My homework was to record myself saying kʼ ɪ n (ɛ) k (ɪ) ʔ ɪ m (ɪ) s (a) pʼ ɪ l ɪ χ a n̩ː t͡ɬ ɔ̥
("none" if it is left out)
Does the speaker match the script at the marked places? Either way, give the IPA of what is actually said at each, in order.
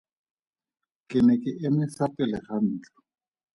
ɛ, ɪ, ɪ, a

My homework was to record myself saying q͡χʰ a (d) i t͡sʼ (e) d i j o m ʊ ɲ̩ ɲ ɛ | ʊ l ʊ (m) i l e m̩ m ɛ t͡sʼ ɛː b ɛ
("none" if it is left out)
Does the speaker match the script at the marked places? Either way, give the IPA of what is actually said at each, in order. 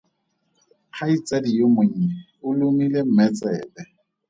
none, a, m

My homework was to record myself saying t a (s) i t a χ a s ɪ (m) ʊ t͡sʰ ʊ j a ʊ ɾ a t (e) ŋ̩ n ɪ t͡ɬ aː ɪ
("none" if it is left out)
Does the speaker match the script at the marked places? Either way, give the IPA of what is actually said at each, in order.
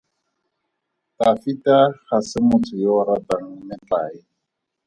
f, m, a

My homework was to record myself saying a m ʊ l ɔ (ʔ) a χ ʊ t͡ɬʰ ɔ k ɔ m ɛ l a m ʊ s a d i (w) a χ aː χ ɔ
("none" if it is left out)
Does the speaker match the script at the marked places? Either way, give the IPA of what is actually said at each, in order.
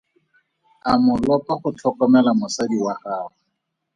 p, w

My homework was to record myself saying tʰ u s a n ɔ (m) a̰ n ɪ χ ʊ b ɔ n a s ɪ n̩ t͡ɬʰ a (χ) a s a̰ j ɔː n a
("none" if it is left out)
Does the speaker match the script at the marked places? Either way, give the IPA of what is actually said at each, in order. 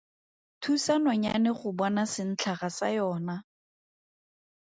ɲ, χ

